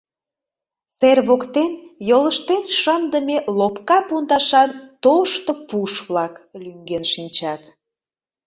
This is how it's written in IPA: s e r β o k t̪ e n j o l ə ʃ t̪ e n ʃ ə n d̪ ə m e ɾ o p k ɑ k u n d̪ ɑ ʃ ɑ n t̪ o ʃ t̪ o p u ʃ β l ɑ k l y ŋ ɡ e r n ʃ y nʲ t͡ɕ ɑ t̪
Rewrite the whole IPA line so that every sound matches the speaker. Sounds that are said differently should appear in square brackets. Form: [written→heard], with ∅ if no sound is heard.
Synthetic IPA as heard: s e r β o k t̪ e n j o l ə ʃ t̪ e n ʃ ə n d̪ ə m e [ɾ→l] o p k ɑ [k→p] u n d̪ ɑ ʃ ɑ n t̪ o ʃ t̪ o p u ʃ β l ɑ k l y ŋ ɡ e [r→∅] n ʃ [y→i] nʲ t͡ɕ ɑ t̪